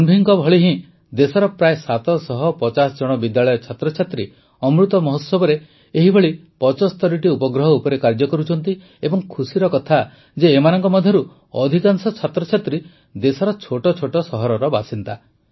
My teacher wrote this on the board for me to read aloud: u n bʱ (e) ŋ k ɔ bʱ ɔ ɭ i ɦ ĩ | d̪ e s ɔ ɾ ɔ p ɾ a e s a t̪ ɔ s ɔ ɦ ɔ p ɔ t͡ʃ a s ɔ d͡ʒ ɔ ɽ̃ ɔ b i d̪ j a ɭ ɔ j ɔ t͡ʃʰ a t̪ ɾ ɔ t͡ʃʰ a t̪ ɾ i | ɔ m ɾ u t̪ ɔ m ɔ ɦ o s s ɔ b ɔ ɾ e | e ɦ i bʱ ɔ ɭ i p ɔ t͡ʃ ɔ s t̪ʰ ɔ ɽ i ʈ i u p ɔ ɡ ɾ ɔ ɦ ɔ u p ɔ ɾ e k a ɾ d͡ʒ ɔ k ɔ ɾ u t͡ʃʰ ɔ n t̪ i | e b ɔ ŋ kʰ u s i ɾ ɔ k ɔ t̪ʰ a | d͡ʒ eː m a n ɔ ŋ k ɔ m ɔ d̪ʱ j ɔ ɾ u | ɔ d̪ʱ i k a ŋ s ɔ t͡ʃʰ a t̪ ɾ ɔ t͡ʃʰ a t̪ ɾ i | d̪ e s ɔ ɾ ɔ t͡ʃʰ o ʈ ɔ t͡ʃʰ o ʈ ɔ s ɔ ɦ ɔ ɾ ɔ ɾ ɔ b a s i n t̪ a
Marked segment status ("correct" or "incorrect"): incorrect